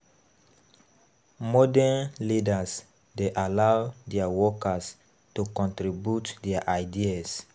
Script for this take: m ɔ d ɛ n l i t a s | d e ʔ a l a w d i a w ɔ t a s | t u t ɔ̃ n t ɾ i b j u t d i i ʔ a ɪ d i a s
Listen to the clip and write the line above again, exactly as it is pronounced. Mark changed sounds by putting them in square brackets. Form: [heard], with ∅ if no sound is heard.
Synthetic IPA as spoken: m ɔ d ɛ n l i [d] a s | d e ʔ a l a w d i a w ɔ [k] a s | t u [k] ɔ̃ n t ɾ i b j u t d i [a] ʔ a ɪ d i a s